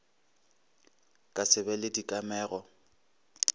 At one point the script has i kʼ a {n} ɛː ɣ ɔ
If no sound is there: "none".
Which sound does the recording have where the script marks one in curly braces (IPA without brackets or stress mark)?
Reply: m